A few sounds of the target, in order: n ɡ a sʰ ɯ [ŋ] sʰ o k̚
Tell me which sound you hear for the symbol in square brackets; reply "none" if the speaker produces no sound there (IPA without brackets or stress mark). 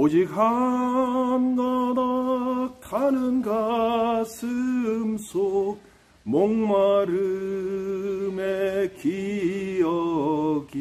m